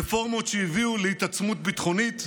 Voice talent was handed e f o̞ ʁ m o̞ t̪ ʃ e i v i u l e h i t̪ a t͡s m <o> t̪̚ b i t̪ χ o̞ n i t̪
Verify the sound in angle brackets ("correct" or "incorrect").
incorrect